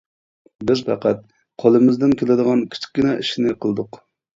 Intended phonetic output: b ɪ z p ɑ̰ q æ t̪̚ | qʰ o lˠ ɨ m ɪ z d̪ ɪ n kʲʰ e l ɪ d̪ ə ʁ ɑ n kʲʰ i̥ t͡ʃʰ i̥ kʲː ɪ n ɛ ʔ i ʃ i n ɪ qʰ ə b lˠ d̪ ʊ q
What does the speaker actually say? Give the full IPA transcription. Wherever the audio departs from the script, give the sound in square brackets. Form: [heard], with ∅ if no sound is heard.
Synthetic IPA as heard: b ɪ z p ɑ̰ q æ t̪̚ | qʰ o lˠ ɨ m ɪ z d̪ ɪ n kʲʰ e l ɪ d̪ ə ʁ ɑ n kʲʰ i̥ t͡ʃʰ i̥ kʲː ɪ n ɛ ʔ i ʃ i n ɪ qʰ ə [∅] lˠ d̪ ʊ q